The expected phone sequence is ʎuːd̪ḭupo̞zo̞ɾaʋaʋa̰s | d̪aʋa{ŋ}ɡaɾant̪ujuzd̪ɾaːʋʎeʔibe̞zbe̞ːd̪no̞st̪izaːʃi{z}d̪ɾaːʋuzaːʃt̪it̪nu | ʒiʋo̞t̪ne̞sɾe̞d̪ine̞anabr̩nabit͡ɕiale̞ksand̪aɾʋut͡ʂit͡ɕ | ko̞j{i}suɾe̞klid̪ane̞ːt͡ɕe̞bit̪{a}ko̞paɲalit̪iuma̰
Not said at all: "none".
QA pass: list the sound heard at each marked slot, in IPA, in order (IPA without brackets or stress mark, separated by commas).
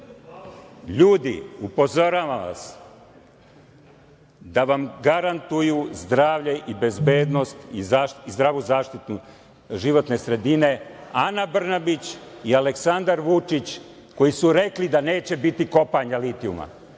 m, z, i, i